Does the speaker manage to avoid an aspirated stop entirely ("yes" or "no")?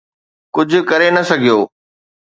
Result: yes